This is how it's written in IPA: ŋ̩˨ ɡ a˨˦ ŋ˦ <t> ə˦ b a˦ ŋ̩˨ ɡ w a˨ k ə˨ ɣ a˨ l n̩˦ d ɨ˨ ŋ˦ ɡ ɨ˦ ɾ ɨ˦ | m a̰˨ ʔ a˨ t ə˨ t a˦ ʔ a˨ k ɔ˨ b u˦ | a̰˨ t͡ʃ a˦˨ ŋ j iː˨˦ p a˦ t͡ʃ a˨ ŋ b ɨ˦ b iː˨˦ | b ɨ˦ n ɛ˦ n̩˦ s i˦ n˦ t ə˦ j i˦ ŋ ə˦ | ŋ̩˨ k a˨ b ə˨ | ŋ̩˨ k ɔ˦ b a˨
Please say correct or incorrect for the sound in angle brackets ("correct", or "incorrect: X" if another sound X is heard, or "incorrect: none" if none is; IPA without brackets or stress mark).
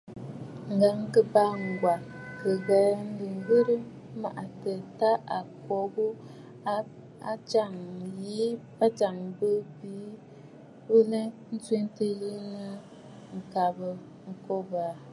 incorrect: k